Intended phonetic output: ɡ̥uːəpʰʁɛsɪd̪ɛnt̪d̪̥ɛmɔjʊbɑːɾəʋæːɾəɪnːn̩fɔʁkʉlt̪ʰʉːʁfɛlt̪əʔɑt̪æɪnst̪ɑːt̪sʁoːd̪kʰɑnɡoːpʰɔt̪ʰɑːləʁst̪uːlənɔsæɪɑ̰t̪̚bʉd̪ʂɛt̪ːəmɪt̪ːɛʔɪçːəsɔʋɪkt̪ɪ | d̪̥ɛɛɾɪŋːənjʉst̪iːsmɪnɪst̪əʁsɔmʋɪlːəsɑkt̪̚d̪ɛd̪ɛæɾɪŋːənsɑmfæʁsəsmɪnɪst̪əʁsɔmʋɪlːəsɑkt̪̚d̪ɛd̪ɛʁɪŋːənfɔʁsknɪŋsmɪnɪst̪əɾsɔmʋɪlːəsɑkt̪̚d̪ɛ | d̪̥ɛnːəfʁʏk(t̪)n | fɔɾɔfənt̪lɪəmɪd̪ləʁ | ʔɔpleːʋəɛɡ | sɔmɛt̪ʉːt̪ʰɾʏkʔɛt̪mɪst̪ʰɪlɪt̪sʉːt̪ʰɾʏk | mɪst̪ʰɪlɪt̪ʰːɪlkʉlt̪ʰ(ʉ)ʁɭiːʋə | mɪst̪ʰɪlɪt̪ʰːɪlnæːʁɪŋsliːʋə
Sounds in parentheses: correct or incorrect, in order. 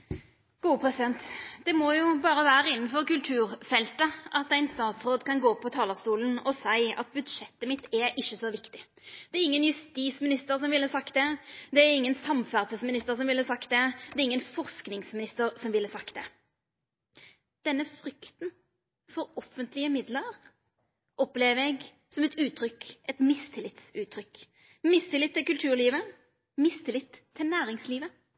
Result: correct, incorrect

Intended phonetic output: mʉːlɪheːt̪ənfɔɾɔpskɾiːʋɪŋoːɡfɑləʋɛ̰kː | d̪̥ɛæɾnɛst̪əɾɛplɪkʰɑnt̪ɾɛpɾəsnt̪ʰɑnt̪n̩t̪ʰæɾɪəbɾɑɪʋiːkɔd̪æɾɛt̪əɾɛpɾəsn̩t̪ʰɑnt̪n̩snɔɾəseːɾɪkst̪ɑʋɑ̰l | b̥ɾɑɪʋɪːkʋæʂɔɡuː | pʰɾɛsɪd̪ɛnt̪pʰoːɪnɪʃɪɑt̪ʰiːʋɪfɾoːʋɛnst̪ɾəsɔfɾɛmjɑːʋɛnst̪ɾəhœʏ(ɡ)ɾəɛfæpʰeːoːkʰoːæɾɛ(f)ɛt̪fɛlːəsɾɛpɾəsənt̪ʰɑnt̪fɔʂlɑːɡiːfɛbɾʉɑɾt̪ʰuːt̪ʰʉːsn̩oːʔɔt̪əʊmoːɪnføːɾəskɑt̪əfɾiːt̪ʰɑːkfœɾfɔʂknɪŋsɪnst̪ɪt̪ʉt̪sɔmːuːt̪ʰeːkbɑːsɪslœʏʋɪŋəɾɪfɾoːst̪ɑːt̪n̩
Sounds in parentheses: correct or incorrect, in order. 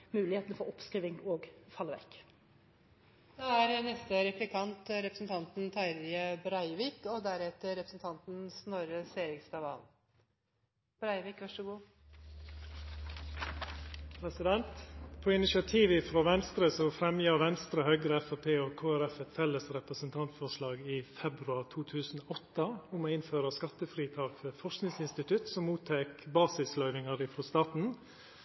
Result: correct, correct

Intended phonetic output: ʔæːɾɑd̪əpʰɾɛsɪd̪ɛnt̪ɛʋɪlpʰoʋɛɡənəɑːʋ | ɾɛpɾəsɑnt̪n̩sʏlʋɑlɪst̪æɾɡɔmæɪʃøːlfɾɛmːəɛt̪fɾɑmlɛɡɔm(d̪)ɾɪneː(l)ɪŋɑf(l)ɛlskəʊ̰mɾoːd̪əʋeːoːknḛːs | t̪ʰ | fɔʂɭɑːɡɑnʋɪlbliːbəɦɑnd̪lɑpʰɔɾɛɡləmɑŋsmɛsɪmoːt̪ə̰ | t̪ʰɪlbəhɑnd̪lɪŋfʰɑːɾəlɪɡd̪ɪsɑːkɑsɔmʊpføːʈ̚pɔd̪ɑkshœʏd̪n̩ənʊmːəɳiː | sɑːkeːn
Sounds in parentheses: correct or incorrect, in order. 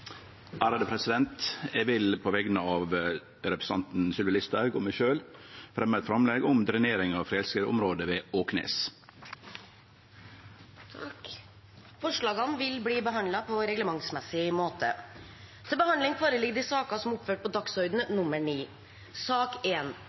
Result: correct, incorrect, incorrect

